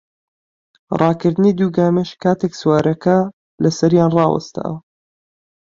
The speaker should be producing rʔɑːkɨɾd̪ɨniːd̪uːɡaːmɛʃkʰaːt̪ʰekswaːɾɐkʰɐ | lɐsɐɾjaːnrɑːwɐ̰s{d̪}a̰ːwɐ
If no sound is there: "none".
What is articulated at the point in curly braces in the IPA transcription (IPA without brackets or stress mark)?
t̪